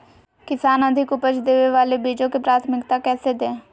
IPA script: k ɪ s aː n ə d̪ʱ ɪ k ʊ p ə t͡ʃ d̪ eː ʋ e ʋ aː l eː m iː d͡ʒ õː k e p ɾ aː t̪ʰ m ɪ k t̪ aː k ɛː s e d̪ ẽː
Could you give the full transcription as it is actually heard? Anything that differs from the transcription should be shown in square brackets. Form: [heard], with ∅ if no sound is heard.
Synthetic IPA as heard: k ɪ s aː n ə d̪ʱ ɪ k ʊ p ə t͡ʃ d̪ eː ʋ e ʋ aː l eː [b] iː d͡ʒ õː k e p ɾ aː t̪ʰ m ɪ k t̪ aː k ɛː s e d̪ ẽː